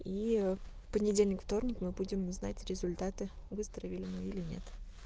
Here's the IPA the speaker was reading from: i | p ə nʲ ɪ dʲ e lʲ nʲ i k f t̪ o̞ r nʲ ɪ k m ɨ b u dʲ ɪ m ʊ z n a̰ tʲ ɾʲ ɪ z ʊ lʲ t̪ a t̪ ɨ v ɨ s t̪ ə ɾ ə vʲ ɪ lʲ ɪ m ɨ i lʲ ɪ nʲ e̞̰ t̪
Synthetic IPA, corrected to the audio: i | p ə nʲ ɪ dʲ e lʲ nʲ ɪ k f t̪ o̞ r nʲ ɪ k m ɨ b u dʲ ɪ m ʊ z n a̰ tʲ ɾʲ ɪ z ʊ lʲ t̪ a t̪ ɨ v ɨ s t̪ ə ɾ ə vʲ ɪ lʲ ɪ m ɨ i lʲ ɪ nʲ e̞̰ t̪